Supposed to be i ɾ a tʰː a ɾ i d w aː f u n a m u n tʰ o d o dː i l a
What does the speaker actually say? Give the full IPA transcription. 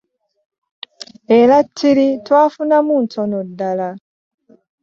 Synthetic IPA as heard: e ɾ a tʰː i ɾ i t w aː f u n a m u n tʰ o n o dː a l a